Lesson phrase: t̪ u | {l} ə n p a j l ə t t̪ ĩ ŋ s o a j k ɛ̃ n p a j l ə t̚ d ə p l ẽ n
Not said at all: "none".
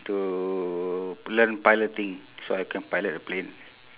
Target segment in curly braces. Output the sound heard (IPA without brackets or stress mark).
l